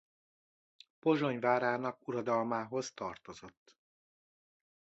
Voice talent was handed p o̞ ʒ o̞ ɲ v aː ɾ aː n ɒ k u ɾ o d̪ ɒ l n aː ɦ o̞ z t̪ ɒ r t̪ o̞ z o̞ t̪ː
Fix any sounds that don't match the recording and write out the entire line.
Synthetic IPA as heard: p o̞ ʒ o̞ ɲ v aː ɾ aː n ɒ k u ɾ ɒ d̪ ɒ l m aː ɦ o̞ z t̪ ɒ r t̪ o̞ z o̞ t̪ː